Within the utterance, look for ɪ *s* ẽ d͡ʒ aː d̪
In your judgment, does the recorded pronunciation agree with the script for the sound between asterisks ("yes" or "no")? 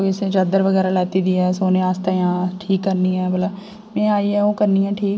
yes